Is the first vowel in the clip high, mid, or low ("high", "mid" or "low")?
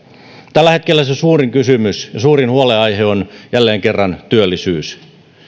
low